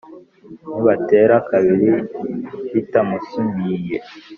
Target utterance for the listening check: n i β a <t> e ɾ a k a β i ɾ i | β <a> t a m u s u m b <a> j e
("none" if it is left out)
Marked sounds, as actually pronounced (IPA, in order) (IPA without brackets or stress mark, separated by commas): t, i, i